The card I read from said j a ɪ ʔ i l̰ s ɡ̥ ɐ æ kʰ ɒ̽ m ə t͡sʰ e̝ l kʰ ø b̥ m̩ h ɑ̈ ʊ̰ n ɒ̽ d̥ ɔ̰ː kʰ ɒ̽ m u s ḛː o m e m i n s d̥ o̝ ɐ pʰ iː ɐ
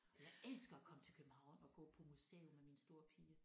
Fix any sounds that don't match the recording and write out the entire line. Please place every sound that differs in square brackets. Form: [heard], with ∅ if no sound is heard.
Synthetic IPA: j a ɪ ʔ [e] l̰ s ɡ̥ ɐ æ kʰ ɒ̽ m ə t͡sʰ e̝ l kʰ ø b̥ m̩ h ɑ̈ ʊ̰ n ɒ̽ [ɡ̥] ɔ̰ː [pʰ] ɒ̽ m u s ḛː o m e m i n s d̥ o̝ ɐ pʰ iː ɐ